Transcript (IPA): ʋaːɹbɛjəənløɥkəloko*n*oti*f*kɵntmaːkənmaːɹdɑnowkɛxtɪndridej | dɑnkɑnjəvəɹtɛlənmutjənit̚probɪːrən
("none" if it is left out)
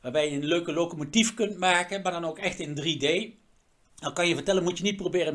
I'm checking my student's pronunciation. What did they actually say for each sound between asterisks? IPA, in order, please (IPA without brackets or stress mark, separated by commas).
m, f